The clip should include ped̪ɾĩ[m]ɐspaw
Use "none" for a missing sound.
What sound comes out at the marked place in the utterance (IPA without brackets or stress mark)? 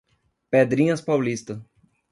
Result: ɲ